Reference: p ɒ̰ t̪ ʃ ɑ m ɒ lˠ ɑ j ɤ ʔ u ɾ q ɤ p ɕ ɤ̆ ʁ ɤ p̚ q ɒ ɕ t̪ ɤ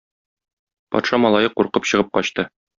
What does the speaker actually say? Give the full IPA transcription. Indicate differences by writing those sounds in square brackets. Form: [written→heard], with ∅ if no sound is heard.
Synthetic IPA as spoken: p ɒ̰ t̪ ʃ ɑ m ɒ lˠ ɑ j ɤ [ʔ→q] u ɾ q ɤ p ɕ ɤ̆ ʁ ɤ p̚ q ɒ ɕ t̪ ɤ